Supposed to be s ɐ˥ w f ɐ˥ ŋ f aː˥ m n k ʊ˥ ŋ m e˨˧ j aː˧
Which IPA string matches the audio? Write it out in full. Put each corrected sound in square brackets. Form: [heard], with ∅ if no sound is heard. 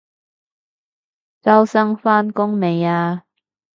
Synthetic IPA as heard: [t͡s] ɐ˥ w [s] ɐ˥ ŋ f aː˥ [∅] n k ʊ˥ ŋ m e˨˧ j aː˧